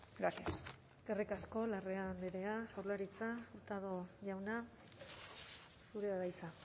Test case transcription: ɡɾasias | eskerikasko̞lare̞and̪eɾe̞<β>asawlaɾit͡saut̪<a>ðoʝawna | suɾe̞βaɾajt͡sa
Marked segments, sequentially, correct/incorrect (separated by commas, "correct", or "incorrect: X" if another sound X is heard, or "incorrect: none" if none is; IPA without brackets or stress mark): incorrect: none, correct